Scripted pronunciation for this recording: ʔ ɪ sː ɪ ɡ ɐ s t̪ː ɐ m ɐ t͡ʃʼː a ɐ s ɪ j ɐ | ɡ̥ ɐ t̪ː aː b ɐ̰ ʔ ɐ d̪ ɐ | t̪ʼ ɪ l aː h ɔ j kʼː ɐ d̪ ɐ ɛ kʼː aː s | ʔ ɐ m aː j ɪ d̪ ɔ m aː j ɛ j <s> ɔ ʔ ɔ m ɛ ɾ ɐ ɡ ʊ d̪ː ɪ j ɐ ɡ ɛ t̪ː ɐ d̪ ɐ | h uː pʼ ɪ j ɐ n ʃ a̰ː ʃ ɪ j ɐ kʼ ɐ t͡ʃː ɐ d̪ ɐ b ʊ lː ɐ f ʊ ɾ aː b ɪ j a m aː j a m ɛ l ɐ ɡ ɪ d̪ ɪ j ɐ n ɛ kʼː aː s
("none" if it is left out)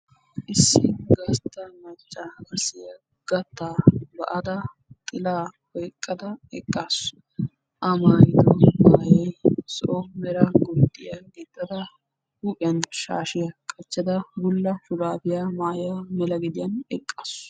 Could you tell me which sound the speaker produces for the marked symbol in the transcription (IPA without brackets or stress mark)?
s